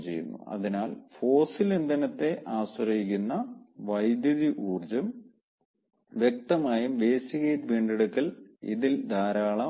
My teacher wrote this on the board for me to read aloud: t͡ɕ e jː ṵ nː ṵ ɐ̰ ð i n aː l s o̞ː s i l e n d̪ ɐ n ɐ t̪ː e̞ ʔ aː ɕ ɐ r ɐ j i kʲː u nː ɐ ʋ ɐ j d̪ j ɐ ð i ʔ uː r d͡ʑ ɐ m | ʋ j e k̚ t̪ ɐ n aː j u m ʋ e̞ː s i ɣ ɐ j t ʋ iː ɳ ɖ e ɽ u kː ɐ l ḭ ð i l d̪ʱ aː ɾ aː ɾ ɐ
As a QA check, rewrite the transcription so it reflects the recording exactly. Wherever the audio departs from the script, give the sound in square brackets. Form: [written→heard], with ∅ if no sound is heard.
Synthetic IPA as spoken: t͡ɕ e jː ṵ nː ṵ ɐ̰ ð i n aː l [s→f] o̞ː s i l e n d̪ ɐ n ɐ t̪ː e̞ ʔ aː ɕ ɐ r ɐ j i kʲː u nː ɐ ʋ ɐ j d̪ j ɐ ð i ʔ uː r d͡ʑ ɐ m | ʋ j e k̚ t̪ ɐ [n→m] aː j u m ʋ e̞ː s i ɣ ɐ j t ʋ iː ɳ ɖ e ɽ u kː ɐ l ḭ ð i l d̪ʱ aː ɾ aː [ɾ→ɭ] ɐ

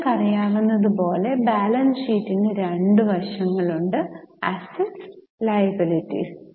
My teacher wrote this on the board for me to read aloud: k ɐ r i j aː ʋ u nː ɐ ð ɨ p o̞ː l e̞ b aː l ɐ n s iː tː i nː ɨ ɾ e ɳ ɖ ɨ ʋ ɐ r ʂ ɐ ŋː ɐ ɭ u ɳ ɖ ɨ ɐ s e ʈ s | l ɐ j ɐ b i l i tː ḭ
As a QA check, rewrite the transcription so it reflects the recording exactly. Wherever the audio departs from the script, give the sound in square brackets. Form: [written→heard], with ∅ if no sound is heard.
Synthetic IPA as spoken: k ɐ r i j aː ʋ u nː ɐ ð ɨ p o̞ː l e̞ b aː l ɐ n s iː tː i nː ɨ ɾ e ɳ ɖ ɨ ʋ ɐ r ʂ ɐ ŋː ɐ ɭ u ɳ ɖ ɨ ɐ s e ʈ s | l ɐ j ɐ b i l i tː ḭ

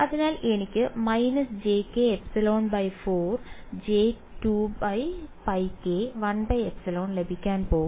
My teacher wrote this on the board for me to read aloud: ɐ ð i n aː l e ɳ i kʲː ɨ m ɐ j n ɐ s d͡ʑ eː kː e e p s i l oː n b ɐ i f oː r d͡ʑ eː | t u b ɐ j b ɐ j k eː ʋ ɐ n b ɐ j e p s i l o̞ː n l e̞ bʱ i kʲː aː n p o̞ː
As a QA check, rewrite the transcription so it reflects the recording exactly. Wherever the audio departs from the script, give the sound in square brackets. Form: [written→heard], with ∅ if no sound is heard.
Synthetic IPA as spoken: ɐ ð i n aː l e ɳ i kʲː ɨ m ɐ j n ɐ s d͡ʑ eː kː e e p s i l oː n b ɐ [i→j] f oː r d͡ʑ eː | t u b ɐ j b ɐ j k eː ʋ ɐ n b ɐ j e p s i l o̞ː n l e̞ bʱ i kʲː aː n p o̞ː

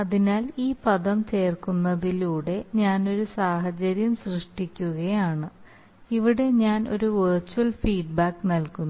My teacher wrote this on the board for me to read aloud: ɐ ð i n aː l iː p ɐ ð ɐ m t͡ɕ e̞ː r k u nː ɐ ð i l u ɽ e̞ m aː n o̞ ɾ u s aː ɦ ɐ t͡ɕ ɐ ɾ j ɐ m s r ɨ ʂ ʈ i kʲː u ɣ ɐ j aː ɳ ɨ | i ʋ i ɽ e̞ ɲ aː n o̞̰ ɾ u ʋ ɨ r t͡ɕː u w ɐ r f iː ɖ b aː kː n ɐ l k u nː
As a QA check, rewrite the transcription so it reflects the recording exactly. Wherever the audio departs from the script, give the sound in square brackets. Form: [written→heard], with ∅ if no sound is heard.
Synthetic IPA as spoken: ɐ ð i n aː l iː p ɐ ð ɐ m t͡ɕ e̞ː r k u nː ɐ ð i l [u→uː] ɽ e̞ [m→ɲ] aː n o̞ ɾ u s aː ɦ ɐ t͡ɕ ɐ ɾ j ɐ m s r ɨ ʂ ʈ i kʲː u ɣ ɐ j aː ɳ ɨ | i ʋ i ɽ e̞ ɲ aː n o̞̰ ɾ u ʋ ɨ r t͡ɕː u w ɐ [r→l] f iː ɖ b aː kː n ɐ l k u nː

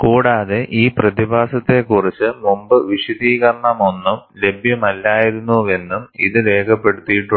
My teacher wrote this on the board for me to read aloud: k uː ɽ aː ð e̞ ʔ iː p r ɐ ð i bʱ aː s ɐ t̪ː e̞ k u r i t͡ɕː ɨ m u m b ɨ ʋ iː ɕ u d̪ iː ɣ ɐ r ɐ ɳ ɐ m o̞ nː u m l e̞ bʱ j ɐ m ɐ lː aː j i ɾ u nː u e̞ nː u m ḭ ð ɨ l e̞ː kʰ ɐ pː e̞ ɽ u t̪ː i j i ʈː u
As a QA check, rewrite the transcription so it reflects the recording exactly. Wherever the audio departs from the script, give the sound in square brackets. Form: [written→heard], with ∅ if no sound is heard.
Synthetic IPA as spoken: k uː ɽ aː ð e̞ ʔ iː p r ɐ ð i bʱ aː s ɐ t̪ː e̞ k u r i t͡ɕː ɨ m u m b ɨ ʋ [iː→i] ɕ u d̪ iː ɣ ɐ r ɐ ɳ ɐ m o̞ nː u m l e̞ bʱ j ɐ m ɐ lː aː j i ɾ u nː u e̞ nː u m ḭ ð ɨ l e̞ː kʰ ɐ pː e̞ ɽ u t̪ː i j i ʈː u

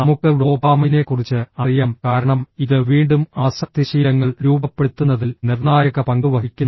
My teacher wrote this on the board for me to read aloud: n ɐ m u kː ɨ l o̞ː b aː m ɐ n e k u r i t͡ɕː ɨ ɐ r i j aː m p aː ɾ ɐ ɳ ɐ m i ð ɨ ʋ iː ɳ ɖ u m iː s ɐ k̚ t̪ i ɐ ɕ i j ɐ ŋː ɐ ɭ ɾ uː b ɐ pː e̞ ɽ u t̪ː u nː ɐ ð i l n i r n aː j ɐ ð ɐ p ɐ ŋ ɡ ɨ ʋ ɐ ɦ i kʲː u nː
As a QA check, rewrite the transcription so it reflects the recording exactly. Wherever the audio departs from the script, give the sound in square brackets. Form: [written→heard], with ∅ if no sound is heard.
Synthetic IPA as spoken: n ɐ m u kː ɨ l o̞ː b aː m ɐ n e k u r i t͡ɕː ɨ ɐ r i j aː m [p→k] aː ɾ ɐ ɳ ɐ m i ð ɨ ʋ iː ɳ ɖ u m [iː→aː] s ɐ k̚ t̪ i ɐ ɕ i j ɐ ŋː ɐ ɭ ɾ uː b ɐ pː e̞ ɽ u t̪ː u nː ɐ ð i l n i r n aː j ɐ [ð→ɣ] ɐ p ɐ ŋ ɡ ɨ ʋ ɐ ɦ i kʲː u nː

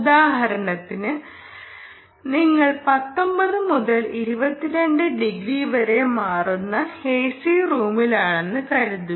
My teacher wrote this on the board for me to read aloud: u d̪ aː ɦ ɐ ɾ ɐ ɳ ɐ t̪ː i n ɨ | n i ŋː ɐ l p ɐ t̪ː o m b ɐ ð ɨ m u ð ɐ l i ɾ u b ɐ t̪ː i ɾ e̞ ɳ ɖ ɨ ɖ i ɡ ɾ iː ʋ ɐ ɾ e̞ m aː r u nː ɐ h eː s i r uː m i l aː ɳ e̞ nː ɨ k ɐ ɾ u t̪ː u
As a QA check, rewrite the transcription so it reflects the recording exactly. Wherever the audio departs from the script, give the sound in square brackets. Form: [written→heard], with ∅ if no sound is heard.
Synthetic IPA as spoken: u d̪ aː ɦ ɐ ɾ ɐ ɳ ɐ t̪ː i n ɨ | n i ŋː ɐ [l→ɭ] p ɐ t̪ː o m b ɐ ð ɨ m u ð ɐ l i ɾ u b ɐ t̪ː i ɾ e̞ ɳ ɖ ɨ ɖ i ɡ ɾ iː ʋ ɐ ɾ e̞ m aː r u nː ɐ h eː s i r uː m i l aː ɳ e̞ nː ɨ k ɐ ɾ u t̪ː u

